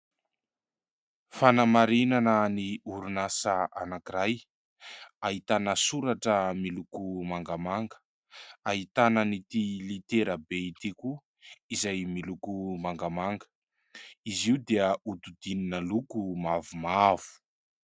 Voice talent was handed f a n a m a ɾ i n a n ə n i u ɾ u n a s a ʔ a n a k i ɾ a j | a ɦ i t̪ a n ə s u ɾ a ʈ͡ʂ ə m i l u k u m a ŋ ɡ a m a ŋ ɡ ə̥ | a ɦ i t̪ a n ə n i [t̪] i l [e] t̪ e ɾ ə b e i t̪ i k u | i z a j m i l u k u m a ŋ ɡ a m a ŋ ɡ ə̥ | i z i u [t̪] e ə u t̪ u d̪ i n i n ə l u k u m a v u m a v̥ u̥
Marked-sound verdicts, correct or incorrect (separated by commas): correct, incorrect, incorrect